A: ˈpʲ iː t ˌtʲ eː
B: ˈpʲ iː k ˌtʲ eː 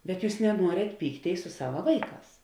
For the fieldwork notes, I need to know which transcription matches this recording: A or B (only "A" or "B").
B